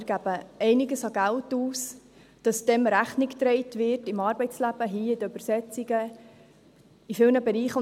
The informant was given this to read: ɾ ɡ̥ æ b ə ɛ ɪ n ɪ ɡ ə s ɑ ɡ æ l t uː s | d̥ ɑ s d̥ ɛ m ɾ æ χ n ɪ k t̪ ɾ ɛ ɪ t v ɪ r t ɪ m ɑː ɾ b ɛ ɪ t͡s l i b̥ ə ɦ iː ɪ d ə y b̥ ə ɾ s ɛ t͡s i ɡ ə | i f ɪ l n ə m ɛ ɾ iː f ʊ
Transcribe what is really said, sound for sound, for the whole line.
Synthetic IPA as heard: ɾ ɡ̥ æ b ə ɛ ɪ n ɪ ɡ ə s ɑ ɡ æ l t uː s | d̥ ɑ s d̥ ɛ m ɾ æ χ n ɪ k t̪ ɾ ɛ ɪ t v ɪ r t ɪ m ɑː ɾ b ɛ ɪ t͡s l æ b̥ ə ɦ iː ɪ d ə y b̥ ə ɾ s ɛ t͡s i ɡ ə | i f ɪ l n ə b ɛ ɾ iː χ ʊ